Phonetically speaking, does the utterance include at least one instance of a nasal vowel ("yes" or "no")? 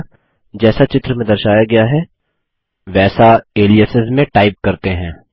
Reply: yes